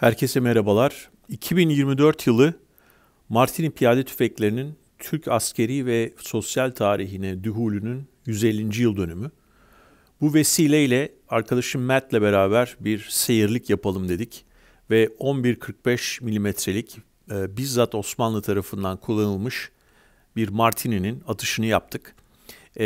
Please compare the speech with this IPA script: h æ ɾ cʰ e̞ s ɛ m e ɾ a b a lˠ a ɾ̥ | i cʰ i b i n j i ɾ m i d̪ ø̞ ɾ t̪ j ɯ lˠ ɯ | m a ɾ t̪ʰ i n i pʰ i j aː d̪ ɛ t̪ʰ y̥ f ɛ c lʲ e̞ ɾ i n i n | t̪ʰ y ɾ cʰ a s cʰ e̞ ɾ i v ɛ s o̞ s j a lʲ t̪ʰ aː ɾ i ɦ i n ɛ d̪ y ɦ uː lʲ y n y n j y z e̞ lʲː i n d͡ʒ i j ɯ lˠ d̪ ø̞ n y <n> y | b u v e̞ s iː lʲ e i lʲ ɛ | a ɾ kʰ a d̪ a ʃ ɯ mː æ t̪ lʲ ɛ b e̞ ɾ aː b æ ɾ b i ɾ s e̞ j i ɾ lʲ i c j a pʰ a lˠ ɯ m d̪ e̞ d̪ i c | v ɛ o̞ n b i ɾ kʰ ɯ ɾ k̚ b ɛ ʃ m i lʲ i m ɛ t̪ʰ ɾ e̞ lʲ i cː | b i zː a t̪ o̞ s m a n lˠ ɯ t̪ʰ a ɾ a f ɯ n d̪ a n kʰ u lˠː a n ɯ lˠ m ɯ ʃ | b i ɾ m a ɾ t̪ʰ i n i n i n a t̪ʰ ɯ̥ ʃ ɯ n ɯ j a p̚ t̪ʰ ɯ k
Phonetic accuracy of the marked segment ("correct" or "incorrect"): incorrect